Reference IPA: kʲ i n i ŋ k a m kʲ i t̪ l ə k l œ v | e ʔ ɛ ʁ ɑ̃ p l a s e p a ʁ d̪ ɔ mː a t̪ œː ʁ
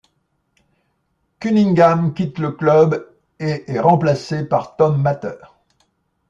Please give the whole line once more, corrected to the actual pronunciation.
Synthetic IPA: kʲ y n i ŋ ɡ a m kʲ i t̪ l ə k l œ b | e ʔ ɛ ʁ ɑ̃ p l a s e p a ʁ t̪ ɔ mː a t̪ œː ʁ